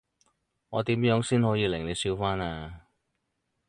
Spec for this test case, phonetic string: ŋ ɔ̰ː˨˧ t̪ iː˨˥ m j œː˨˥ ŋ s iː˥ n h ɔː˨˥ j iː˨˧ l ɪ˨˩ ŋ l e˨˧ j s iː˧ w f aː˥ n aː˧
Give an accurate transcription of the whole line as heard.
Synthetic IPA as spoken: ŋ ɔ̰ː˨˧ t̪ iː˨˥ m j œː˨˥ ŋ s iː˥ n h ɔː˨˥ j iː˨˧ l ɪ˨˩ ŋ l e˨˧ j s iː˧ w f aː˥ n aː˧